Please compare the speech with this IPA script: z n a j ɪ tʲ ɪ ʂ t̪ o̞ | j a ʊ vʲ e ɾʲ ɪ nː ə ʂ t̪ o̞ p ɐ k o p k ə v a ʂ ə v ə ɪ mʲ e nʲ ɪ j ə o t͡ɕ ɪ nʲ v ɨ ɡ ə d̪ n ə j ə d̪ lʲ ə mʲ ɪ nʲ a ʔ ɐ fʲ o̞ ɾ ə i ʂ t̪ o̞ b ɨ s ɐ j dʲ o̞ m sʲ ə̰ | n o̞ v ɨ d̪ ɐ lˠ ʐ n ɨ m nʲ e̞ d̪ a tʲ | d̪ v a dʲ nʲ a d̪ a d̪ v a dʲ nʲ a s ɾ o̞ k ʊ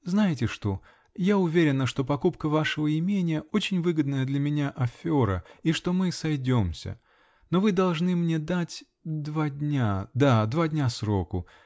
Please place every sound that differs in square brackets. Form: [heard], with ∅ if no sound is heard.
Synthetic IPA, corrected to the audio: z n a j ɪ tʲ ɪ ʂ t̪ o̞ | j a ʊ vʲ e ɾʲ ɪ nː ə ʂ t̪ o̞ p ɐ k [u] p k ə v a ʂ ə v ə ɪ mʲ e nʲ ɪ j ə o t͡ɕ ɪ nʲ v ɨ ɡ ə d̪ n ə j ə d̪ lʲ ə mʲ ɪ nʲ a ʔ ɐ fʲ o̞ ɾ ə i ʂ t̪ o̞ [m] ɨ s ɐ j dʲ o̞ m sʲ ə̰ | n o̞ v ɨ d̪ ɐ lˠ ʐ n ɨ m nʲ e̞ d̪ a tʲ | d̪ v a dʲ nʲ a d̪ a d̪ v a dʲ nʲ a s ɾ o̞ k ʊ